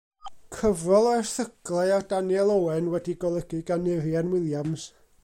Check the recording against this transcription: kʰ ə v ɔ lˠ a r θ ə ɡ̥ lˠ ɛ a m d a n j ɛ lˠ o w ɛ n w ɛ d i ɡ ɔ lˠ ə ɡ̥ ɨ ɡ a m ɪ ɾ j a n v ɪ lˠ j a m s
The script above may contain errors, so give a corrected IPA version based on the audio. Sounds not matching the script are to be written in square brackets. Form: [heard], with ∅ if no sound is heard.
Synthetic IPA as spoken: kʰ ə v ɔ lˠ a r θ ə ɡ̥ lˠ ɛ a [∅] d a n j ɛ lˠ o w ɛ n w ɛ d i ɡ ɔ lˠ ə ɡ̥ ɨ ɡ a [n] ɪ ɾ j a n [w] ɪ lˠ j a m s